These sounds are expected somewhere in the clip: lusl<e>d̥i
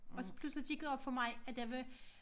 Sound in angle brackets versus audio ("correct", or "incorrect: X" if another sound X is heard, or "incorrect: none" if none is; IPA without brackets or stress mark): incorrect: i